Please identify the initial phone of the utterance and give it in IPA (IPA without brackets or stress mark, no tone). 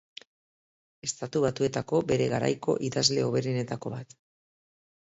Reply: e̞